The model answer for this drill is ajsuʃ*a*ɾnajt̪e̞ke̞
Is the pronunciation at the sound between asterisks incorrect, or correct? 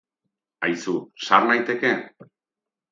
correct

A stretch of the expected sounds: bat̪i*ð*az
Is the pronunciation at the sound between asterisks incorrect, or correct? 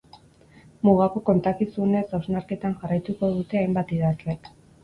correct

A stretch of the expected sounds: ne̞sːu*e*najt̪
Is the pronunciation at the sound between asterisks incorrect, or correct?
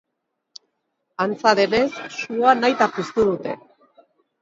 incorrect: a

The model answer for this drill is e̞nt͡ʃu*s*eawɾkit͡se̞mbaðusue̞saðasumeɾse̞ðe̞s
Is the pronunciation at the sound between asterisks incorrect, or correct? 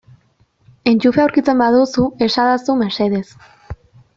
incorrect: f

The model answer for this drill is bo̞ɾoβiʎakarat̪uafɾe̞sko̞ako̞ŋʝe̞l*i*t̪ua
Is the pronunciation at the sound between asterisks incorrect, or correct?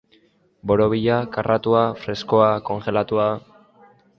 incorrect: a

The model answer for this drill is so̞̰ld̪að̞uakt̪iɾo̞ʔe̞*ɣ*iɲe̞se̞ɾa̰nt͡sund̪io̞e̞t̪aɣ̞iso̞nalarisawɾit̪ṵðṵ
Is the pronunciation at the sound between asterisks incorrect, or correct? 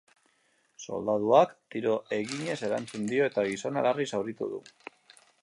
correct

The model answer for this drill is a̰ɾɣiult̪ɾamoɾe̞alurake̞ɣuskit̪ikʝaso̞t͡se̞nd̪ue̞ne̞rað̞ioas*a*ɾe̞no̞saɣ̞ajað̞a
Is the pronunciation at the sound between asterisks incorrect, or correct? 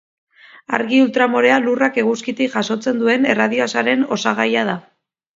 correct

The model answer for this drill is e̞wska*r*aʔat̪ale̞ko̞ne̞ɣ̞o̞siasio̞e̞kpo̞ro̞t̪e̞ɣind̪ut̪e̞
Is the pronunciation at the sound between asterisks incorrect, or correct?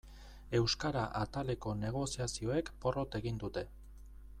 incorrect: ɾ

